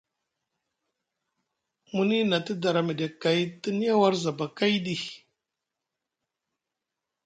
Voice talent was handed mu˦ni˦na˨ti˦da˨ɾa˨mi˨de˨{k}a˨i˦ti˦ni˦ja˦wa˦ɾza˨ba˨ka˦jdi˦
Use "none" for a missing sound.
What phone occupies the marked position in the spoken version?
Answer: k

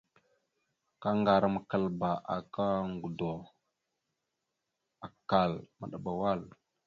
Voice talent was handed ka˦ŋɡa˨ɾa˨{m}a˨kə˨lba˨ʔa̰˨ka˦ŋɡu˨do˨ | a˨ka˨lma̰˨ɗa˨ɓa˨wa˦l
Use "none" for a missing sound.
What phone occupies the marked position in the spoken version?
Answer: m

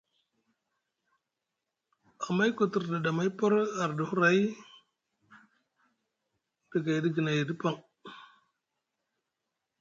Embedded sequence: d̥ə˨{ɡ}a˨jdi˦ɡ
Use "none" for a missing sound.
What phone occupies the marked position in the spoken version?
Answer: ɡ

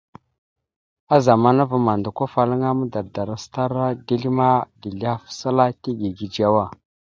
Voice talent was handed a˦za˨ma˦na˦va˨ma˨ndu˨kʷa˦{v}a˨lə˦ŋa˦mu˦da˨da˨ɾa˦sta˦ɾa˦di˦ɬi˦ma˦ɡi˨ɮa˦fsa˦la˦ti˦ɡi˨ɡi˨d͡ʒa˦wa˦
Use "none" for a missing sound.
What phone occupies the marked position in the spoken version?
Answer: f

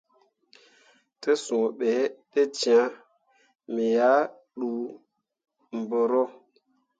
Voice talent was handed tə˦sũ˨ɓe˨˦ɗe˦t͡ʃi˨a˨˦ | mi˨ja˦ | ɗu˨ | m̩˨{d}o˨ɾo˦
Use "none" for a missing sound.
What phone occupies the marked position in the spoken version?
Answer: b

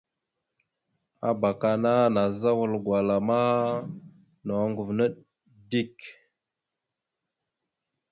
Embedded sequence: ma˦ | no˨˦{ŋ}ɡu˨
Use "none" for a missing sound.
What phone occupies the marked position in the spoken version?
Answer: ŋ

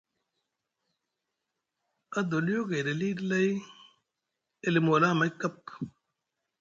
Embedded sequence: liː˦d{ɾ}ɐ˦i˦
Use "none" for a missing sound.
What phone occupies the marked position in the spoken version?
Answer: l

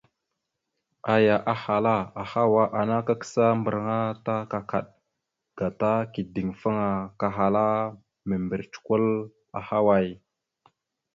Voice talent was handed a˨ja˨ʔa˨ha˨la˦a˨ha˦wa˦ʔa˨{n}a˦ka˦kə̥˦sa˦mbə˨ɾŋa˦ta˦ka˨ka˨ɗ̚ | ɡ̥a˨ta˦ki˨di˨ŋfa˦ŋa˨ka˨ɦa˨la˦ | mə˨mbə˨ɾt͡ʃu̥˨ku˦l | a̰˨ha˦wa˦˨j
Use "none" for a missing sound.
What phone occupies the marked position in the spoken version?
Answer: n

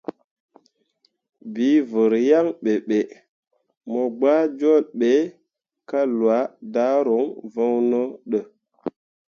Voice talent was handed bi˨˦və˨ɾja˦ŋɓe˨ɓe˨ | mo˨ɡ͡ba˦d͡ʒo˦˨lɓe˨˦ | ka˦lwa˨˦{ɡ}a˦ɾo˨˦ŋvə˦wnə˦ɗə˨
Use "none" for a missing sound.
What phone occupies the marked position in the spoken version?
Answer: d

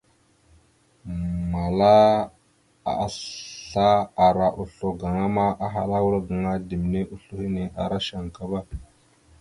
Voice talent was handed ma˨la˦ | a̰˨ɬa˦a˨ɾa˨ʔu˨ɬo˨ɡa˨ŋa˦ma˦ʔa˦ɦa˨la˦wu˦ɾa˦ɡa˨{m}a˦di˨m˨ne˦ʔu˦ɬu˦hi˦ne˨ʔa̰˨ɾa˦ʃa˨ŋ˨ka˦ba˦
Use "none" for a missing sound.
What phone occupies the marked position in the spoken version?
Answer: ŋ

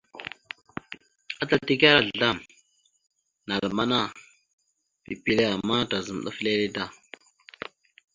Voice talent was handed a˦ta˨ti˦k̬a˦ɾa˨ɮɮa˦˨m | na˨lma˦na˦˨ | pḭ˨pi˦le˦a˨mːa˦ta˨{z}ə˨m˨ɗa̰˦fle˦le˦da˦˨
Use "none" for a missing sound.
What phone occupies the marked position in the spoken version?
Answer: z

